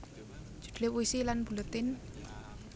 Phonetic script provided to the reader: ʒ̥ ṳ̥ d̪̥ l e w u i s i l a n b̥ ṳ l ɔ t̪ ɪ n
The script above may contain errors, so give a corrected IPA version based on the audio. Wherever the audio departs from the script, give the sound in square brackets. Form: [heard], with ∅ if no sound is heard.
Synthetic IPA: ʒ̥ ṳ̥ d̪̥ l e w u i s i l a n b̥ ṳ l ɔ t̪ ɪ n